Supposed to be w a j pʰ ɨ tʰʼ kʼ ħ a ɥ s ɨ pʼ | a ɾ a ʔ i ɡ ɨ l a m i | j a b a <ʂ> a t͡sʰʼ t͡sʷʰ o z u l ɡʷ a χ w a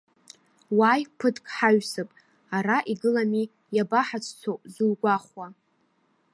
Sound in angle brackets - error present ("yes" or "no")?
yes